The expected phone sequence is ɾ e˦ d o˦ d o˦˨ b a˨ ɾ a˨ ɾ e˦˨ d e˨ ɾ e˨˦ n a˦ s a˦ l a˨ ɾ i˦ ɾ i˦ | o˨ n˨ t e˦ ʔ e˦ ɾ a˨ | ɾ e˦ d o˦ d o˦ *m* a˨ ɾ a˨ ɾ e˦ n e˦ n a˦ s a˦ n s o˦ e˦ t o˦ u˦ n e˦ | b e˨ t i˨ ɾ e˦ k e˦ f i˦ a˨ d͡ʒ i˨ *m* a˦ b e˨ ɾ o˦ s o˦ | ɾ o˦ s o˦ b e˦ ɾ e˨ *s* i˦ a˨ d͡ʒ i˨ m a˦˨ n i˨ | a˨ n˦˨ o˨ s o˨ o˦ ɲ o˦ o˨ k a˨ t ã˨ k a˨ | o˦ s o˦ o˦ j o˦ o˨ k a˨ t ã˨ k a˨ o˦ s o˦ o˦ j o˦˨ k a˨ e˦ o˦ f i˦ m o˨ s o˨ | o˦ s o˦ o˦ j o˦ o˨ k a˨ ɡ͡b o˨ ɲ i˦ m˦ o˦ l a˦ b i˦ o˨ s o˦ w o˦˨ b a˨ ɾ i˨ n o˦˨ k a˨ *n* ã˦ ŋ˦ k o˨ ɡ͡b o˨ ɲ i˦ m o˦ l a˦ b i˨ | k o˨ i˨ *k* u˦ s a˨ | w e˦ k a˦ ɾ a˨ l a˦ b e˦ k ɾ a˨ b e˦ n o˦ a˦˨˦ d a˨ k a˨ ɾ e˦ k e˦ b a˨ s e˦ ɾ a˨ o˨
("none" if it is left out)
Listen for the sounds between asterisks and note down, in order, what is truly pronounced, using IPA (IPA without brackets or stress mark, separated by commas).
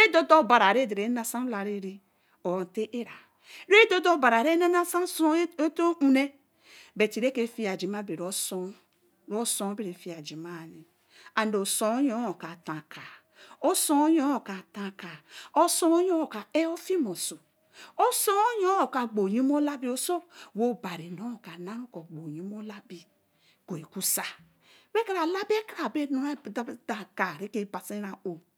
b, m, f, n, k